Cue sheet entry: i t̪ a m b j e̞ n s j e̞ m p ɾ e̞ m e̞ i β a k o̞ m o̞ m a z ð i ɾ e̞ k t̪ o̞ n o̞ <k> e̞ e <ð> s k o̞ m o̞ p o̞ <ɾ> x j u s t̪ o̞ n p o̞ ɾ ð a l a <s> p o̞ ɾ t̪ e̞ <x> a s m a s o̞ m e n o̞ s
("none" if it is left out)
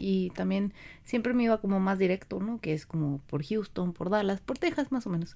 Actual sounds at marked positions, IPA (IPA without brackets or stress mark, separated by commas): k, none, ɾ, s, x